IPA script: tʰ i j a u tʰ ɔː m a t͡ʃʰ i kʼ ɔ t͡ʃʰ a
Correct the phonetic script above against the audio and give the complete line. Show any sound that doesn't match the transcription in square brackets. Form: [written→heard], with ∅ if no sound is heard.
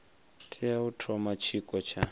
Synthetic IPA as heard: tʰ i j a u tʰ [ɔː→ɔ] m a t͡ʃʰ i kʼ ɔ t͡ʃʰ a